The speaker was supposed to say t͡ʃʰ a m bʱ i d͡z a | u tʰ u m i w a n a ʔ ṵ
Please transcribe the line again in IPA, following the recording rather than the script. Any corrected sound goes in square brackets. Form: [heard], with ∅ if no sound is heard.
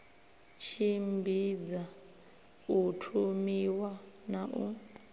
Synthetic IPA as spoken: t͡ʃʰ [i] m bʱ i d͡z a | u tʰ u m i w a n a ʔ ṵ